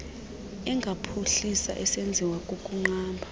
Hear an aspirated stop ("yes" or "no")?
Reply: yes